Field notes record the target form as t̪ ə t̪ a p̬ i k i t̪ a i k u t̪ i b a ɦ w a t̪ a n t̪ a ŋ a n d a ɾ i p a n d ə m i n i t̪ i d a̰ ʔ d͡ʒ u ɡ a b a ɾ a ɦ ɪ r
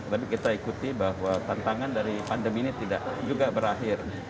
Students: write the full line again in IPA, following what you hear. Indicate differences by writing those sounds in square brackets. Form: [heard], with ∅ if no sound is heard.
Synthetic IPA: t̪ ə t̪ a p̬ i k i t̪ a i k u t̪ i b a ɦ w a t̪ a n t̪ a ŋ a n d a ɾ i p a n d ə m i n i t̪ i d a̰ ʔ d͡ʒ u ɡ a b [ə] ɾ a ɦ ɪ r